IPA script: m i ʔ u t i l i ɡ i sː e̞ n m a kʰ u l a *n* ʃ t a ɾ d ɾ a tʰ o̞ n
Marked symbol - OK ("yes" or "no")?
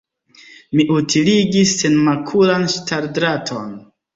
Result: yes